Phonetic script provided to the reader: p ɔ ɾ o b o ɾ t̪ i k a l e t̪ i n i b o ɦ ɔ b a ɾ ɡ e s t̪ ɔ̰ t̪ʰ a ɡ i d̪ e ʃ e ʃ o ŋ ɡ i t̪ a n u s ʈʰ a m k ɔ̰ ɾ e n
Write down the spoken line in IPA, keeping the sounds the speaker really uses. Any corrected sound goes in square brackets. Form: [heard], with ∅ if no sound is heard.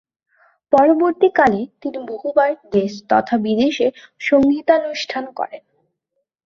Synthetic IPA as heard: p ɔ ɾ o b o ɾ t̪ i k a l e t̪ i n i b o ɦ [u] b a ɾ ɡ e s t̪ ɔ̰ t̪ʰ a [b] i d̪ e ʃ e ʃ o ŋ ɡ i t̪ a n u [ʃ] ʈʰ a [n] k ɔ̰ ɾ e n